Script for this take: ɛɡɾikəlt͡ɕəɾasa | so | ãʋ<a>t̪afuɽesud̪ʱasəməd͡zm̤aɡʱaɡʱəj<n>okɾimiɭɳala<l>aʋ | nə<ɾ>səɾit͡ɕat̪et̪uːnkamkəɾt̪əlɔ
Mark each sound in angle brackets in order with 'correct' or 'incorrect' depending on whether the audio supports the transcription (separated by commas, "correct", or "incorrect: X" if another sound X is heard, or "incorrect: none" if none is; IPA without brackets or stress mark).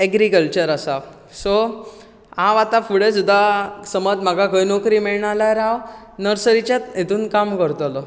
correct, correct, incorrect: ɾ, correct